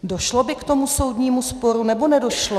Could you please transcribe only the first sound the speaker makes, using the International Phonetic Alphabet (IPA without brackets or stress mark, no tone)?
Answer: d